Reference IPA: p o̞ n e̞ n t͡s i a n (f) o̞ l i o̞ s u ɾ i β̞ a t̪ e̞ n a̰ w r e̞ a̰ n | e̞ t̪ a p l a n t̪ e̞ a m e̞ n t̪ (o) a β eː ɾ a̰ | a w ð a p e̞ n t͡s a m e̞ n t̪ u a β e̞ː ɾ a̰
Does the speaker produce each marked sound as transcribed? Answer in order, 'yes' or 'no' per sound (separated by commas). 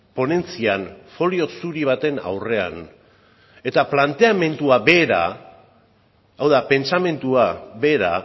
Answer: yes, no